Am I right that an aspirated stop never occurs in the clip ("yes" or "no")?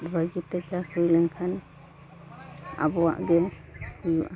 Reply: no